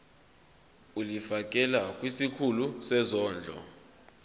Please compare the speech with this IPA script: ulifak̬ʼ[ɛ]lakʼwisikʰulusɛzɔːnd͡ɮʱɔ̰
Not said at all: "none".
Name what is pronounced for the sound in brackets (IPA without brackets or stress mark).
ɛ